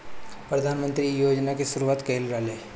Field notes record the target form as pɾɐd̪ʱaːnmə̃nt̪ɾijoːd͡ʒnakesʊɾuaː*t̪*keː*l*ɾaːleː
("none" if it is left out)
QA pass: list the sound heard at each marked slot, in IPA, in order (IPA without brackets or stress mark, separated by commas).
t̪, l